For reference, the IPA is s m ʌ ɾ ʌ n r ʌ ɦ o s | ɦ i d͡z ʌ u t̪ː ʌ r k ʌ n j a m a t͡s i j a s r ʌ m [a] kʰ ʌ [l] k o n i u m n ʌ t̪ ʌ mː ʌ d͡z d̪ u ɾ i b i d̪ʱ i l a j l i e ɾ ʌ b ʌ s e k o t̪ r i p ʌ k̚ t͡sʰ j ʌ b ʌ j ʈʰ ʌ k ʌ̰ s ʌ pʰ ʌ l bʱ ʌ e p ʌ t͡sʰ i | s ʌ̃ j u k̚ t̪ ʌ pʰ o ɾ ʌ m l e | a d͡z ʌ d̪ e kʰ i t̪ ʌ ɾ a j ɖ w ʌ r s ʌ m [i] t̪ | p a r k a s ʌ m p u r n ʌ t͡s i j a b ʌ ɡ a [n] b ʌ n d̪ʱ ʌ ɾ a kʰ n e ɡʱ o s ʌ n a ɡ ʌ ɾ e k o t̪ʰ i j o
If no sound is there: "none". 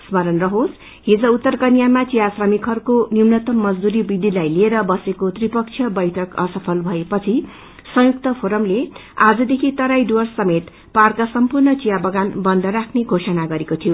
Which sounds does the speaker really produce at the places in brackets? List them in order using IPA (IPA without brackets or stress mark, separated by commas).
i, r, e, n